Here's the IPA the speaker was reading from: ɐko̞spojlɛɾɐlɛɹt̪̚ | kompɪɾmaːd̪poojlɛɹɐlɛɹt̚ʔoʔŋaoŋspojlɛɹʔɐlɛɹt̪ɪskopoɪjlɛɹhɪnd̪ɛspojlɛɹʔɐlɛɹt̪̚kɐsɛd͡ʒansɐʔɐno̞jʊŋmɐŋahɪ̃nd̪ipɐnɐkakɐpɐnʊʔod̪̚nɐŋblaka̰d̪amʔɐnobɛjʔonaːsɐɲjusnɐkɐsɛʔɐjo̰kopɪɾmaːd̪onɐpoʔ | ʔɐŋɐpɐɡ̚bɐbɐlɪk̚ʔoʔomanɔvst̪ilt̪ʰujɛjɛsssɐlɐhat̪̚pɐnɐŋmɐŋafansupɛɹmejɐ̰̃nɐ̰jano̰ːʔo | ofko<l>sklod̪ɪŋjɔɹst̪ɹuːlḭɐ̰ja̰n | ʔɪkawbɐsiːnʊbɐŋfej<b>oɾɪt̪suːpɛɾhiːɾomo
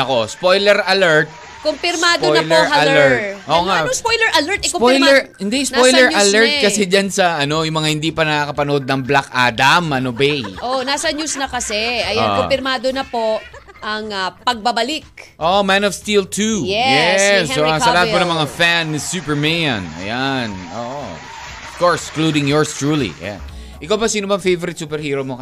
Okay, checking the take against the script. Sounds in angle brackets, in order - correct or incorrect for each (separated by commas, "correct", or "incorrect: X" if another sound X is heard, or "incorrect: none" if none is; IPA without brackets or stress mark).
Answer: incorrect: ɹ, incorrect: v